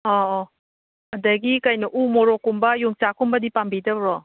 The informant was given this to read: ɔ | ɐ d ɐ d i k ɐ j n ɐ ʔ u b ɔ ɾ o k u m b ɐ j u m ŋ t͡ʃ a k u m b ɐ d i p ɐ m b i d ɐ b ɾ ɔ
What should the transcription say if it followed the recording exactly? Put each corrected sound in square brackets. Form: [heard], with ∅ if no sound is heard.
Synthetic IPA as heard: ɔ | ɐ d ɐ [ɡ] i k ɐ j n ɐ ʔ u [m] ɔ ɾ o k u m b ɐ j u [∅] ŋ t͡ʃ a k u m b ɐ d i p [a] m b i d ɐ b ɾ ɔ